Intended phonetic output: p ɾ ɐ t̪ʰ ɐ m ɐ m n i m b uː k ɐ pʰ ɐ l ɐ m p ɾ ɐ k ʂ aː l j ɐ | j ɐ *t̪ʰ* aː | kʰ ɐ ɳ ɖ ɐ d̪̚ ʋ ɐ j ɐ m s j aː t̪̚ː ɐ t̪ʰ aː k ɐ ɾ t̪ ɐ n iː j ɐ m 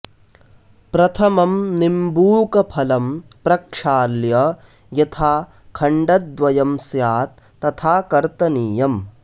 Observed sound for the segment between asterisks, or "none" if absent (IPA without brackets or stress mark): t̪ʰ